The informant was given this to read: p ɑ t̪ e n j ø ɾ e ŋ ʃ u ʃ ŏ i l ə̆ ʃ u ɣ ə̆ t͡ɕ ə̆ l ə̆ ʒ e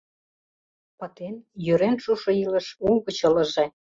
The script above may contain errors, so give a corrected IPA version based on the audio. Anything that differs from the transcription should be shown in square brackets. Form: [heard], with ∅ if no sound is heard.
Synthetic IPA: p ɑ t̪ e n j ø ɾ e [n] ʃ u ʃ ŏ i l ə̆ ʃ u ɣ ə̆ t͡ɕ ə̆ l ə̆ ʒ e